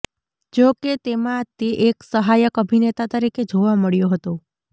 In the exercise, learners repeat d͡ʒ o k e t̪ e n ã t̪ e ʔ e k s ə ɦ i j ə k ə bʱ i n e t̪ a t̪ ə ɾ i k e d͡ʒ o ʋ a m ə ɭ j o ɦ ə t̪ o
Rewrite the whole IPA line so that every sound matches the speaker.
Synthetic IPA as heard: d͡ʒ o k e t̪ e m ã t̪ e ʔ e k s ə ɦ a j ə k ə bʱ i n e t̪ a t̪ ə ɾ i k e d͡ʒ o ʋ a m ə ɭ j o ɦ ə t̪ o

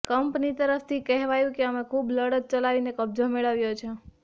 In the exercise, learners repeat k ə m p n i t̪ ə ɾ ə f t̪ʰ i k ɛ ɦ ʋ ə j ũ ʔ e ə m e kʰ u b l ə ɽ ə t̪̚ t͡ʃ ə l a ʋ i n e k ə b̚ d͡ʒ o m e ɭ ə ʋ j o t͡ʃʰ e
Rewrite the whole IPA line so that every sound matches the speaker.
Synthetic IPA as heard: k ə m p n i t̪ ə ɾ ə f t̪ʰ i k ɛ ɦ ʋ a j ũ k e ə m e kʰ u b l ə ɽ ə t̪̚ t͡ʃ ə l a ʋ i n e k ə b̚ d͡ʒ o m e ɭ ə ʋ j o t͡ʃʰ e

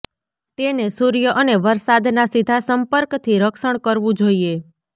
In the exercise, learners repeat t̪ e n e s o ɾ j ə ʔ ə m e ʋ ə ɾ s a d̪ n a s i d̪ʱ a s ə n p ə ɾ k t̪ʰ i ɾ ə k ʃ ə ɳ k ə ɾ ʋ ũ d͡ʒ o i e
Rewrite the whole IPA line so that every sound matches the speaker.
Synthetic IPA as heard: t̪ e n e s u ɾ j ə ʔ ə n e ʋ ə ɾ s a d̪ n a s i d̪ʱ a s ə m p ə ɾ k t̪ʰ i ɾ ə k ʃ ə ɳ k ə ɾ ʋ ũ d͡ʒ o i e

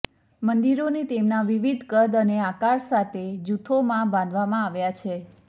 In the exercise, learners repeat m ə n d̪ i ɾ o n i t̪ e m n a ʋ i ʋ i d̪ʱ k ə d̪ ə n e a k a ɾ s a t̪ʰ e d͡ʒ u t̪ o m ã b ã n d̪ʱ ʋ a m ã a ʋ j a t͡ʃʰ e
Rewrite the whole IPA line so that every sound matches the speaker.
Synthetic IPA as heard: m ə n d̪ i ɾ o n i t̪ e m n a ʋ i ʋ i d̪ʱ k ə d̪ ə n e a k a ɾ s a t̪ʰ e d͡ʒ u t̪ʰ o m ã b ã n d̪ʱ ʋ a m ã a ʋ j a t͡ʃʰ e

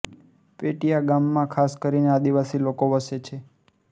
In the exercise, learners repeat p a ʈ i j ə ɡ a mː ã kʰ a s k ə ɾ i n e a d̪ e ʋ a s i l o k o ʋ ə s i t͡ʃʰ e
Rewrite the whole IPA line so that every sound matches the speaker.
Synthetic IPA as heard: p e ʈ i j a ɡ a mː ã kʰ a s k ə ɾ i n e a d̪ i ʋ a s i l o k o ʋ ə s e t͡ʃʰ e

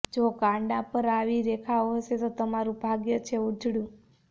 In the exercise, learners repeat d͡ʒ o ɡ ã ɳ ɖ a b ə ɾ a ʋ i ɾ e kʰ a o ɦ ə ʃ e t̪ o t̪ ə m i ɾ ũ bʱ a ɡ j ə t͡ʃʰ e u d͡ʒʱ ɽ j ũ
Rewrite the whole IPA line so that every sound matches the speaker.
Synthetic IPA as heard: d͡ʒ o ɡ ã ɳ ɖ a p ə ɾ a ʋ i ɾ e kʰ a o ɦ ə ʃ e t̪ o t̪ ə m a ɾ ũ bʱ a ɡ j ə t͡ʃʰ e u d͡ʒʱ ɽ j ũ

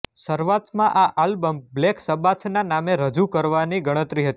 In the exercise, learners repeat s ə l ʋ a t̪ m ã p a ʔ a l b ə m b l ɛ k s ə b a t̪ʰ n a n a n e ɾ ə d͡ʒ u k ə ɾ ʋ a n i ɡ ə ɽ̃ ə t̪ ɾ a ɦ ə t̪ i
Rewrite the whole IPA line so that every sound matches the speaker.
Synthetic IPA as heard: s ə ɾ ʋ a t̪ m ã ʔ a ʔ a l b ə m b l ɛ k s ə b a t̪ʰ n a n a m e ɾ ə d͡ʒ u k ə ɾ ʋ a n i ɡ ə ɽ̃ ə t̪ ɾ i ɦ ə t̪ i

